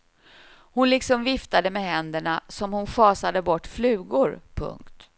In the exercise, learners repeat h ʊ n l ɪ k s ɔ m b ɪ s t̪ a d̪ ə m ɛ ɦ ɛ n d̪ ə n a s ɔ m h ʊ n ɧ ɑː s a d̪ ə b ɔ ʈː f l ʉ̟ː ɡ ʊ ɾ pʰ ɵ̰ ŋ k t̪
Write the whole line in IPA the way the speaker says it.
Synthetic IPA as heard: h ʊ n l ɪ k s ɔ m v ɪ f t̪ a d̪ ə m ɛ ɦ ɛ n d̪ ə ɳ a s ɔ m h ʊ n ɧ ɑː s a d̪ ə b ɔ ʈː f l ʉ̟ː ɡ ʊ ɾ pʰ ɵ̰ ŋ k t̪